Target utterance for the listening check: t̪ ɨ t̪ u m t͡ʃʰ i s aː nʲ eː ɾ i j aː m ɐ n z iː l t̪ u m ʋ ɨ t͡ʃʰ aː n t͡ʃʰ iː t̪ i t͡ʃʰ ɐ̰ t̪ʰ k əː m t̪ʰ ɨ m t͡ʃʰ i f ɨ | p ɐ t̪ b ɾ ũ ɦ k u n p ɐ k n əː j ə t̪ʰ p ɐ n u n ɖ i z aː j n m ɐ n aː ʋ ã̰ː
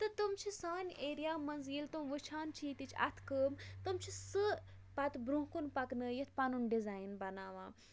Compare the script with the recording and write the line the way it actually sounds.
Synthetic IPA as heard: t̪ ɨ t̪ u m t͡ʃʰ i s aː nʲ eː ɾ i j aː m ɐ n z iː l t̪ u m ʋ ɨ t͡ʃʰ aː n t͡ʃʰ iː t̪ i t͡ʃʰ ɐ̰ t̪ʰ k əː m t̪ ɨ m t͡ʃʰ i s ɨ | p ɐ t̪ b ɾ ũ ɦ k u n p ɐ k n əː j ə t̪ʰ p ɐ n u n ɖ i z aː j n b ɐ n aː ʋ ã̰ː